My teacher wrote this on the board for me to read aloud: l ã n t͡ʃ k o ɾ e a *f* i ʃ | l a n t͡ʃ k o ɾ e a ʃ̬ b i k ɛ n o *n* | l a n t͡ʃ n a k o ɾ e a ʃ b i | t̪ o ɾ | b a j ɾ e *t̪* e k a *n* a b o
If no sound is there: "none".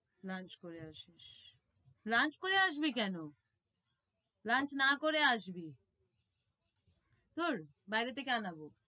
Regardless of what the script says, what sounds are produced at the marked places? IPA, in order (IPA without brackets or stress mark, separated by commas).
ʃ, none, t̪, n